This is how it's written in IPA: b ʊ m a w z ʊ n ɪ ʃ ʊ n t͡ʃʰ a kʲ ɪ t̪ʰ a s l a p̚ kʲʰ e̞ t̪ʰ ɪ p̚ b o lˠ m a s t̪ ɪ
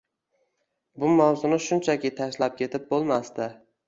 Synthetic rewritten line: b ʊ m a w z ʊ n ɪ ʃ ʊ n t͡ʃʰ a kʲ ɪ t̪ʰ a ʃ l a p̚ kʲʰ e̞ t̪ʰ ɪ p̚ b o lˠ m a s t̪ ɪ